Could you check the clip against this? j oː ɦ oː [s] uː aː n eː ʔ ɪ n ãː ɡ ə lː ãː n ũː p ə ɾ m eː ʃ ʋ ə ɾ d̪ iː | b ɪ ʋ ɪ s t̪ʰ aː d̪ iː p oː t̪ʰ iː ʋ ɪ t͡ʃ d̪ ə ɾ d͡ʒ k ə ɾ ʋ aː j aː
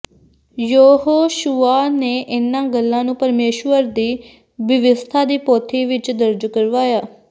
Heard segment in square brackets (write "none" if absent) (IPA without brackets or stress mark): ʃ